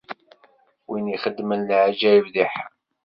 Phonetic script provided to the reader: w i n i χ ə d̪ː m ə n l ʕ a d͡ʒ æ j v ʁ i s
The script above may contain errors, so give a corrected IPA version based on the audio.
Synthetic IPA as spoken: w i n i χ ə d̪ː m ə n l ʕ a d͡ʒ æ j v ð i ħ